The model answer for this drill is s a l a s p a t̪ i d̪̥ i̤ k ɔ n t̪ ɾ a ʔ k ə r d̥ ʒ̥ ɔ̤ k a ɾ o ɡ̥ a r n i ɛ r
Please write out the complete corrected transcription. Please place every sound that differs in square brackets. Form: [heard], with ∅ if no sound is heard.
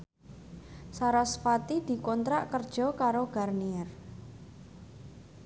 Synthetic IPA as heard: s a [ɾ] a s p a t̪ i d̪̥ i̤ k ɔ n t̪ ɾ a ʔ k ə r d̥ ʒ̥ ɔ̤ k a ɾ o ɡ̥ a r n i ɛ r